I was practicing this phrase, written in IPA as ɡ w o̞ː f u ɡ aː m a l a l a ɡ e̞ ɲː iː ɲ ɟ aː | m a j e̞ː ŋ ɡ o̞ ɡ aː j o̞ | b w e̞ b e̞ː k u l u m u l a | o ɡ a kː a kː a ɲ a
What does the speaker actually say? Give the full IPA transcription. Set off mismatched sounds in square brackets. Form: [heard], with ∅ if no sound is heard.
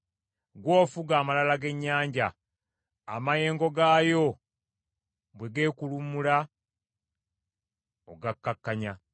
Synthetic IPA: ɡ w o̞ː f u ɡ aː m a l a l a ɡ e̞ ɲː [aː] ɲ ɟ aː | m a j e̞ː ŋ ɡ o̞ ɡ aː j o̞ | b w e̞ [ɡ] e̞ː k u l u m u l a | o ɡ a kː a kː a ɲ a